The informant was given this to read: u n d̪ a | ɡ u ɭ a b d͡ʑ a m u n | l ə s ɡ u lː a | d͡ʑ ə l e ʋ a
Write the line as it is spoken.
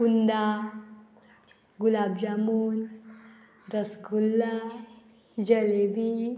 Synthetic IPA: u n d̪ a | ɡ u l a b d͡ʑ a m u n | ɾ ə s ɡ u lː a | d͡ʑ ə l e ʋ i